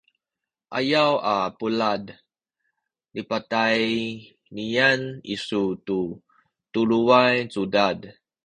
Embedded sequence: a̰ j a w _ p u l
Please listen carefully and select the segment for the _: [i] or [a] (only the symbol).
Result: a